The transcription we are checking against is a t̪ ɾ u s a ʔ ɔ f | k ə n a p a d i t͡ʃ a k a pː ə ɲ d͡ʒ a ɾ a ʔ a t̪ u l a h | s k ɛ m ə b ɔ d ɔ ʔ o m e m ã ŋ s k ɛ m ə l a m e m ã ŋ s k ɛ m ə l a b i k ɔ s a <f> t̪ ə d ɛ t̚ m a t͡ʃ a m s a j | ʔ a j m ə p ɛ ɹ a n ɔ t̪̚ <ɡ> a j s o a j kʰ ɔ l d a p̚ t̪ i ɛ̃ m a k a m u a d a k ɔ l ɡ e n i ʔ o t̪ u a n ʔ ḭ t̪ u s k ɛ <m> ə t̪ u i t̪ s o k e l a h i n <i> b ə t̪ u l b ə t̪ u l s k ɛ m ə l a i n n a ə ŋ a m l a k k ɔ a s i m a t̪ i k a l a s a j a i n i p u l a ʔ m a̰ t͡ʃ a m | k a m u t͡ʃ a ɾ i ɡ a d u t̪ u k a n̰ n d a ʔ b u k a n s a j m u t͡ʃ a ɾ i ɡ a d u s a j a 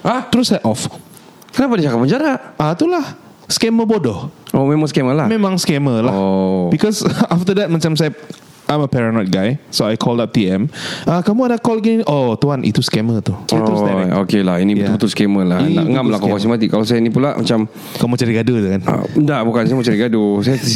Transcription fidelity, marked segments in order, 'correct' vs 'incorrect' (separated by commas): correct, correct, correct, correct